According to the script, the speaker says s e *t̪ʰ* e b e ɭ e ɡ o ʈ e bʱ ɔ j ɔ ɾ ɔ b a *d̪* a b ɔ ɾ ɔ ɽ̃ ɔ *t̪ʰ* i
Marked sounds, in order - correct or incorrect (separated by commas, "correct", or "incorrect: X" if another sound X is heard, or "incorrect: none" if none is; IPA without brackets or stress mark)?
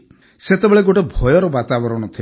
incorrect: t̪, incorrect: t̪, correct